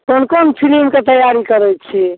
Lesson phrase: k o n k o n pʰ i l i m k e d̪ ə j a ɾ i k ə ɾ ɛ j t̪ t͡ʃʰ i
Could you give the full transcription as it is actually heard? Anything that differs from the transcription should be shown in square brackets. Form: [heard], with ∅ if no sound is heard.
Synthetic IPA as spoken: k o n k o n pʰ i l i m k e [t̪] ə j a ɾ i k ə ɾ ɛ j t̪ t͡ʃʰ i